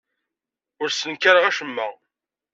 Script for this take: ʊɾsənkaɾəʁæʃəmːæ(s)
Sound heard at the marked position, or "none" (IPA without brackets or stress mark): none